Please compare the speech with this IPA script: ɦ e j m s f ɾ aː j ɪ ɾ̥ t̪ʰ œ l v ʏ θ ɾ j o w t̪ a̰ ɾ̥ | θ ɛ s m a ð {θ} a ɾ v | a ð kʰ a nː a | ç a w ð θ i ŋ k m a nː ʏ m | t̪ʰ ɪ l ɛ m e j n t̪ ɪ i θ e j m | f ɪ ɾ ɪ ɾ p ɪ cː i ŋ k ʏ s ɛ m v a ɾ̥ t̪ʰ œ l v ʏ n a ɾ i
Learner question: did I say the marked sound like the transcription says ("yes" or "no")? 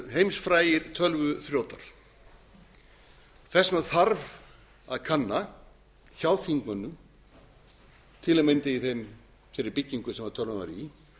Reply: yes